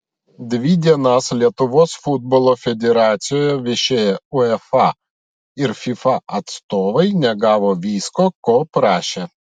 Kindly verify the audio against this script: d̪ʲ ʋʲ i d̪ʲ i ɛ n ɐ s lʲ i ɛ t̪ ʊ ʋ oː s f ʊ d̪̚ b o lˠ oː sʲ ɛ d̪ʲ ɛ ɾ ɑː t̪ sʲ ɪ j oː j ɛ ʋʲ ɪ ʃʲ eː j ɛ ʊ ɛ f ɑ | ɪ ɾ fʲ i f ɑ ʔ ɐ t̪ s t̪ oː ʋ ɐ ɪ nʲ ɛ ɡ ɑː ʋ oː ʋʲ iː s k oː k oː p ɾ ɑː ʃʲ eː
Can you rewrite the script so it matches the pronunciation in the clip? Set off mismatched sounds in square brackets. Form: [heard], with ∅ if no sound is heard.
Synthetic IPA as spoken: d̪ʲ ʋʲ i d̪ʲ i ɛ n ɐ s lʲ i ɛ t̪ ʊ ʋ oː s f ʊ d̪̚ b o lˠ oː [fʲ] ɛ d̪ʲ ɛ ɾ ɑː t̪ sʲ ɪ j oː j ɛ ʋʲ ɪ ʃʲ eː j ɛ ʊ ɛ f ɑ | ɪ ɾ fʲ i f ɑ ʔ ɐ t̪ s t̪ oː ʋ ɐ ɪ nʲ ɛ ɡ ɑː ʋ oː ʋʲ iː s k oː k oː p ɾ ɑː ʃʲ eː